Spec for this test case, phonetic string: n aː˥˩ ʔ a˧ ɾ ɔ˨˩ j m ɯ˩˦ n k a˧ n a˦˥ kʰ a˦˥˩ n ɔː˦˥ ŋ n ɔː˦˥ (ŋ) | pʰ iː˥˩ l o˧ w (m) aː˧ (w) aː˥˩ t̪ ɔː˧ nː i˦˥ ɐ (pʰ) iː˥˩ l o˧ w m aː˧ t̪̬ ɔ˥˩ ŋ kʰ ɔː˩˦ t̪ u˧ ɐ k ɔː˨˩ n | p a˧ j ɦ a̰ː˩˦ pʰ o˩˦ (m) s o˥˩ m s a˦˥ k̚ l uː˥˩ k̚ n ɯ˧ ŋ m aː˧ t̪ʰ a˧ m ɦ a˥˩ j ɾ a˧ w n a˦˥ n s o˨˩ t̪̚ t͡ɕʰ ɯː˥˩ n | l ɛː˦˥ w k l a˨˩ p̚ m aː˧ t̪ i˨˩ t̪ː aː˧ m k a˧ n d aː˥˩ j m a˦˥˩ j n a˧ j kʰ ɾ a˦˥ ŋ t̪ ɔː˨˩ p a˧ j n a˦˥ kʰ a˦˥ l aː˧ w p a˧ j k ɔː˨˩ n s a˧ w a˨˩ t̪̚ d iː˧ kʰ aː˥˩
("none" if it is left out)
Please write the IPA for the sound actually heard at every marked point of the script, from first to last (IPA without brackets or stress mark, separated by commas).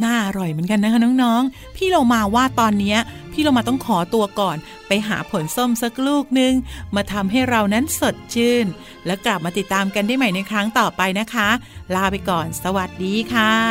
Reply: ŋ, m, w, pʰ, n